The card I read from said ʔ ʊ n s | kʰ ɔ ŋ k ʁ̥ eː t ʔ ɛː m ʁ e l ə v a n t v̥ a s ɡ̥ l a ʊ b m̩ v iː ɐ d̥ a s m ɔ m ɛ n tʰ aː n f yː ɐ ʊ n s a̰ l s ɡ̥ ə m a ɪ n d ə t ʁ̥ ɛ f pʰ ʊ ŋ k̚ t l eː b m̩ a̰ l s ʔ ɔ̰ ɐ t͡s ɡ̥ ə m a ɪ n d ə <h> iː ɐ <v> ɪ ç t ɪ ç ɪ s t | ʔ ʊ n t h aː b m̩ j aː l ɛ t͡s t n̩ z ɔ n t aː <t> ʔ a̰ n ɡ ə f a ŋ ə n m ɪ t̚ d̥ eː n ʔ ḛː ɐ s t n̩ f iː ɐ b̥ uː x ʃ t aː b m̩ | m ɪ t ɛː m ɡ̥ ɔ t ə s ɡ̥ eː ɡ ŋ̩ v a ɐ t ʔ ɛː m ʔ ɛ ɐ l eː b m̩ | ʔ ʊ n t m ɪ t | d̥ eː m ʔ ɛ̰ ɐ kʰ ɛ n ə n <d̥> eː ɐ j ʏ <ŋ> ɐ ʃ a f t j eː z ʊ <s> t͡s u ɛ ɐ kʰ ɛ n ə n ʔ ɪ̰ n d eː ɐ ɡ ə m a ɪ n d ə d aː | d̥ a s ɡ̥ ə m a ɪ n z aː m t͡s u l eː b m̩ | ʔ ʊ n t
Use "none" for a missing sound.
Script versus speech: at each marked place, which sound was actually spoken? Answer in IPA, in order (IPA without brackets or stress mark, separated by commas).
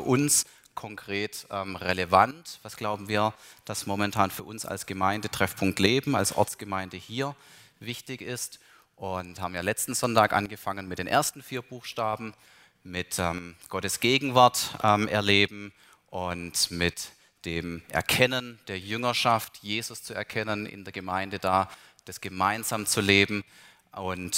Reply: h, v, k, d̥, ŋ, s